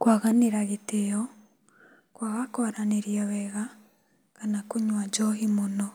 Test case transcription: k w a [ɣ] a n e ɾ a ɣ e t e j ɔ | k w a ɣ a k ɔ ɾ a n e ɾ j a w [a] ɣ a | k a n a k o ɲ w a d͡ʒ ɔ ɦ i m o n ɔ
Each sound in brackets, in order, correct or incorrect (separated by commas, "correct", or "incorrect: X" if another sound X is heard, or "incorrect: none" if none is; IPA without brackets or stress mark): correct, incorrect: ɛ